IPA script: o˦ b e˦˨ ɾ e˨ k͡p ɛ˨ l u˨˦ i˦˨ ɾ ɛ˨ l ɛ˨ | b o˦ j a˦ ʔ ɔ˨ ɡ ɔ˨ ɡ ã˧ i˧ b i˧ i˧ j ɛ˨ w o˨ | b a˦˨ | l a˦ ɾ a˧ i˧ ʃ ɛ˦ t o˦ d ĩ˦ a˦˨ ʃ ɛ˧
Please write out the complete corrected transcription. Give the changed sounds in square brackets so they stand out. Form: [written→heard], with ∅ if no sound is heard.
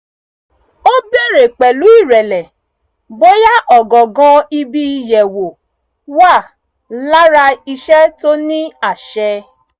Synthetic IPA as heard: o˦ b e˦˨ ɾ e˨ k͡p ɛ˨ l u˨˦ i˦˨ ɾ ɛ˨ l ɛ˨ | b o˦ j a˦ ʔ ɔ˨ ɡ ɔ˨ ɡ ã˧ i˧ b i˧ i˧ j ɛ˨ w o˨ | [b→w] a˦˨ | l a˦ ɾ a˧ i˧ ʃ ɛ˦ t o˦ [d→n] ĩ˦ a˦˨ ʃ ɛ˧

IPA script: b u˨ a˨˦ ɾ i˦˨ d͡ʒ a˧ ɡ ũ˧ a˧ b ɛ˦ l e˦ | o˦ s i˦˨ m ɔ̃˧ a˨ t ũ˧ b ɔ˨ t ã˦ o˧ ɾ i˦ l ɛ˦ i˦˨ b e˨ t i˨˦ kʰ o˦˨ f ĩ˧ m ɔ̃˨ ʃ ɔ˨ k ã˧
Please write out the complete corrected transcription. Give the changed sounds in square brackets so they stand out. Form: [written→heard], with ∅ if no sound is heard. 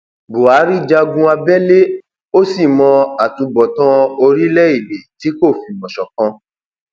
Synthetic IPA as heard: b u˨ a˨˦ ɾ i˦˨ d͡ʒ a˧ ɡ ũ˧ a˧ b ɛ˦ l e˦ | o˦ s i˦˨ m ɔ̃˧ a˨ t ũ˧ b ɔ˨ t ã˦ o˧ ɾ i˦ l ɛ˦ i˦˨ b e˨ t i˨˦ [kʰ→k] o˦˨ f [ĩ˧→i˧] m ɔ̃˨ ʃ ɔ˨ k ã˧

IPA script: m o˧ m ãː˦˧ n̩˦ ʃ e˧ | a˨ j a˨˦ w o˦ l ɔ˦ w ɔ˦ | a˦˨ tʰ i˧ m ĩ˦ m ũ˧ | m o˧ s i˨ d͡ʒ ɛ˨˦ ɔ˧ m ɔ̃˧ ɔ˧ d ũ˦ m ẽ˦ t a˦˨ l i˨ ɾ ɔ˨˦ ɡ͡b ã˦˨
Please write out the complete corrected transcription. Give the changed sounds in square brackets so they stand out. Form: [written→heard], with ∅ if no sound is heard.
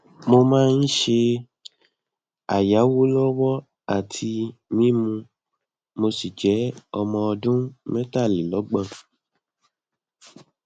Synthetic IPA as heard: m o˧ m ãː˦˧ n̩˦ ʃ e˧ | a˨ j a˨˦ w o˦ l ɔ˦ w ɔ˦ | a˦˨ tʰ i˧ m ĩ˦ m ũ˧ | m o˧ s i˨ d͡ʒ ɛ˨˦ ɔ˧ m ɔ̃˧ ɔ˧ d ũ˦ m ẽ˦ t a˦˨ l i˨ [ɾ→l] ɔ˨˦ ɡ͡b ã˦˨

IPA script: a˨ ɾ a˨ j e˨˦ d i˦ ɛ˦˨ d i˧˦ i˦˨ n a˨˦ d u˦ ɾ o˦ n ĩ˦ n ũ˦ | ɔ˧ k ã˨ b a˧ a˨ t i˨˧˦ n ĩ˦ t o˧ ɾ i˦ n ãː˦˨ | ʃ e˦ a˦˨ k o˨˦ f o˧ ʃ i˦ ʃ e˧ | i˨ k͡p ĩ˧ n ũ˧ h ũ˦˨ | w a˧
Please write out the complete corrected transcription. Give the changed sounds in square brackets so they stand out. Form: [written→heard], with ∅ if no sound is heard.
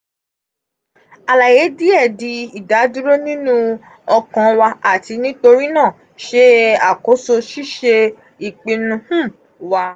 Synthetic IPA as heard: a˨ [ɾ→l] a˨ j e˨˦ d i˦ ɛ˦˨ d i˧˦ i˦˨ [n→d] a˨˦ d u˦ ɾ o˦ n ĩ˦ n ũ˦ | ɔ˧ k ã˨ [b→w] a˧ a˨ t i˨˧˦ n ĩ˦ t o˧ ɾ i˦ n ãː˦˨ | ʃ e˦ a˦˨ k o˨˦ [f→s] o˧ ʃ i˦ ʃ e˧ | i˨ k͡p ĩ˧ n ũ˧ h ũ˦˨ | w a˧

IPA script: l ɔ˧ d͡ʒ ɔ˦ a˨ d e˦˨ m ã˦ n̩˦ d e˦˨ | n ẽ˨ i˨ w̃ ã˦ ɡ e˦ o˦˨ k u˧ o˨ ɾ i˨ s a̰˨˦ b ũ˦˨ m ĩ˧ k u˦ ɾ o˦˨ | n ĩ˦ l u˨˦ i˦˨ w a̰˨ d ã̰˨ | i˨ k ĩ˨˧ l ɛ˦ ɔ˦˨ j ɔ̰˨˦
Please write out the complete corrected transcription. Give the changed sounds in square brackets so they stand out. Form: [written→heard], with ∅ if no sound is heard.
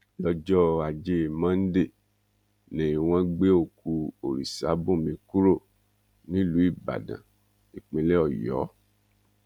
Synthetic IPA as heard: l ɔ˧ d͡ʒ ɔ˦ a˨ [d→d͡ʒ] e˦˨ m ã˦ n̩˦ d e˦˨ | n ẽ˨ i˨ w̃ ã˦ [ɡ→ɡ͡b] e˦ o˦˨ k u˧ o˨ ɾ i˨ s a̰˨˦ b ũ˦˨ m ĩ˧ k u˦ ɾ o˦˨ | n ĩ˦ l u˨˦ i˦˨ [w→b] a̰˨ d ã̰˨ | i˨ [k→k͡p] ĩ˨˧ l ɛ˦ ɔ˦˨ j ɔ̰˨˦

